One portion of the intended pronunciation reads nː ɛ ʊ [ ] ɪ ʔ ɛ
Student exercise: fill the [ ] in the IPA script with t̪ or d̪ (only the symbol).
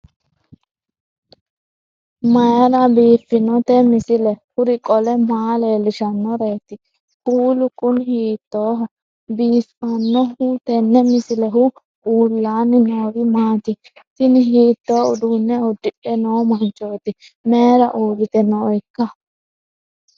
d̪